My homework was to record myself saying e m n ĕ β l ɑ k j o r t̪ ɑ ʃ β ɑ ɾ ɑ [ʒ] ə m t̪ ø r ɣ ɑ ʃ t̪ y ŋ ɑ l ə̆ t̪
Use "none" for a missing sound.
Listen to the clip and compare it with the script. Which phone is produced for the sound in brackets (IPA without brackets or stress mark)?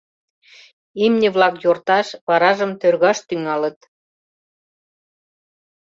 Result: ʒ